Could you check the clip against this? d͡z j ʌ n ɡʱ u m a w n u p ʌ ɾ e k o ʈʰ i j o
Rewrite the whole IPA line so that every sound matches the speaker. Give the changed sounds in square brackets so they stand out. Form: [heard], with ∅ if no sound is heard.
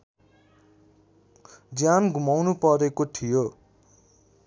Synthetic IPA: d͡z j [a] n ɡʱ u m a w n u p ʌ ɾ e k o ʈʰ i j o

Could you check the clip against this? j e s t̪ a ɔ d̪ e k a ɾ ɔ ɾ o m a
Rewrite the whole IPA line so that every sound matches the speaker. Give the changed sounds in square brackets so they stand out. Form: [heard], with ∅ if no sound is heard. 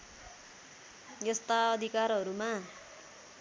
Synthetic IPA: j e s t̪ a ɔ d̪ [i] k a ɾ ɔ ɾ [u] m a

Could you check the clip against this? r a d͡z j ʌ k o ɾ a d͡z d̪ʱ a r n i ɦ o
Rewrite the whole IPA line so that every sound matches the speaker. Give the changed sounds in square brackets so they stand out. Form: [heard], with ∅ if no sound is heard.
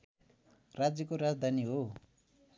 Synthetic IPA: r a d͡z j ʌ k o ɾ a d͡z d̪ʱ a [∅] n i ɦ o

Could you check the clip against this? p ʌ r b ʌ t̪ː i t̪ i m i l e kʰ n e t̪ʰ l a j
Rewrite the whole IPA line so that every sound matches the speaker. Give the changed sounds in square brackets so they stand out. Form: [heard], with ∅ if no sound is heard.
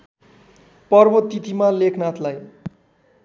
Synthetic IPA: p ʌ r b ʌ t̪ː i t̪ i m [a] l e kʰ n [a] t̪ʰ l a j

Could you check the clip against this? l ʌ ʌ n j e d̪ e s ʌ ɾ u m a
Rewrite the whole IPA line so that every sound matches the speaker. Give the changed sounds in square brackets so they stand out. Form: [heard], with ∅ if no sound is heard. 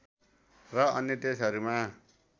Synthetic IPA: [r] ʌ ʌ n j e [t̪] e s ʌ ɾ u m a

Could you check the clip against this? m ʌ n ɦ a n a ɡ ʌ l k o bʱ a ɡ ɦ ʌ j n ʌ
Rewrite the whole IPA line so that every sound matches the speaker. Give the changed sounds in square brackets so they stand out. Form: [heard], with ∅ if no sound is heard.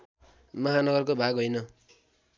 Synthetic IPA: m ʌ [∅] ɦ a n [ʌ] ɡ ʌ [r] k o bʱ a ɡ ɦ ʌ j n ʌ

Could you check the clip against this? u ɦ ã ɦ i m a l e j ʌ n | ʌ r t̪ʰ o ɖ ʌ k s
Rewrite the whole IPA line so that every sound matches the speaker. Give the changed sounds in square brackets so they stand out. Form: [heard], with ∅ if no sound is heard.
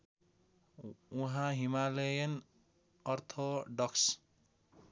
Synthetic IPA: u ɦ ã ɦ i m a l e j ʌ n | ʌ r t̪ʰ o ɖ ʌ k s

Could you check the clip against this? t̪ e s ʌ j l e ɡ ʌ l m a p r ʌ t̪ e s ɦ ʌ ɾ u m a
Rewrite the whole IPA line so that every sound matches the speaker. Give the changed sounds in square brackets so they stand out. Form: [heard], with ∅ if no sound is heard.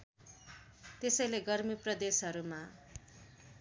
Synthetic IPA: t̪ e s ʌ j l e ɡ ʌ [r] m [i] p r ʌ [d̪] e s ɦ ʌ ɾ u m a

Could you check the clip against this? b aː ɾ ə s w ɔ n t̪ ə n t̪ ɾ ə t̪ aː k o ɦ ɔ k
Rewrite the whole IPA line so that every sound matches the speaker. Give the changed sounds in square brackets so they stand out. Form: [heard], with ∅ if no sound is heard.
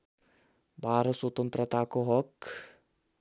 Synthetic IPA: b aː ɾ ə s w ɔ [∅] t̪ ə n t̪ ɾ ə t̪ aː k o ɦ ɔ k

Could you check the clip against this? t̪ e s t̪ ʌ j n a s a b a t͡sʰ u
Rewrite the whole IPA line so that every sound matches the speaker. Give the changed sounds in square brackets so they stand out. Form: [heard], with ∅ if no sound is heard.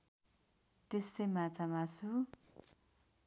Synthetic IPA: t̪ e s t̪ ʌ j [m] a [t͡s] a [m] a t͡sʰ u

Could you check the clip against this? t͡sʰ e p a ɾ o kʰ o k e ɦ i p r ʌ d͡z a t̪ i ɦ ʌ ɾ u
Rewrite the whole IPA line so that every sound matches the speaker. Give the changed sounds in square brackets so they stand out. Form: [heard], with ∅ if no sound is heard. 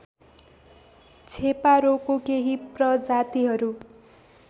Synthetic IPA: t͡sʰ e p a ɾ o [k] o k e ɦ i p r ʌ d͡z a t̪ i ɦ ʌ ɾ u

